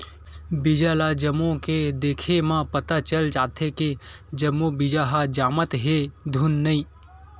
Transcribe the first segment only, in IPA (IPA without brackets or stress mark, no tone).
b